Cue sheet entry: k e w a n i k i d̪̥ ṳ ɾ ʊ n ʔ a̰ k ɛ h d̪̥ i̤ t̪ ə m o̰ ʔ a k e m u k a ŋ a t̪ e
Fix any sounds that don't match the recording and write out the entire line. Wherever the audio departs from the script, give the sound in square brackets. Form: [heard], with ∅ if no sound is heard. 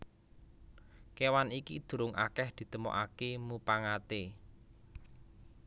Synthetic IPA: k e w a n i k i d̪̥ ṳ ɾ ʊ [ŋ] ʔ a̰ k ɛ h d̪̥ i̤ t̪ ə m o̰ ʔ a k e m u [p] a ŋ a t̪ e